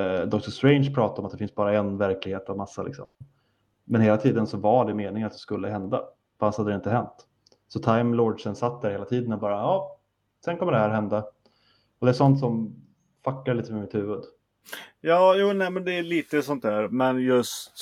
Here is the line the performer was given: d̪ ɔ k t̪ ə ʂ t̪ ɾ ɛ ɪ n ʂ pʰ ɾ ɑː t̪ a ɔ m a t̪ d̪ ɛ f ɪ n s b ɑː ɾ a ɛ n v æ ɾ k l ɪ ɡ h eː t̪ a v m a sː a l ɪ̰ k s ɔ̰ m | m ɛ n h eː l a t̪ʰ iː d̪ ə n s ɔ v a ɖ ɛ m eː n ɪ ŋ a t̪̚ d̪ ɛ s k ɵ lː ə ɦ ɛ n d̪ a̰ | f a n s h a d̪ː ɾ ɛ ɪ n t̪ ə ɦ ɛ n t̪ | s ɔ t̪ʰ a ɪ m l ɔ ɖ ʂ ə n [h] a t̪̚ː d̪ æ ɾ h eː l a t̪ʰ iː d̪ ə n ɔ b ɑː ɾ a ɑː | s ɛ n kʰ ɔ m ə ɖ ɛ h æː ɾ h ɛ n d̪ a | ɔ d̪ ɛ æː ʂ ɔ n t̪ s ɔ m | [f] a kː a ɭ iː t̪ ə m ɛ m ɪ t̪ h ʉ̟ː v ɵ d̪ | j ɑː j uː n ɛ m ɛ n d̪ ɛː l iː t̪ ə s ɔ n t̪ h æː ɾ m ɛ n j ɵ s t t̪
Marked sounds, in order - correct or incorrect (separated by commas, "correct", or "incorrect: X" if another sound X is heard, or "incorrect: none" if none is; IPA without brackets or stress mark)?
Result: incorrect: s, correct